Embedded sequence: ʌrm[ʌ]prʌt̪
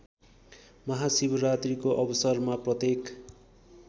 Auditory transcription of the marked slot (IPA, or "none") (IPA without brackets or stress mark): a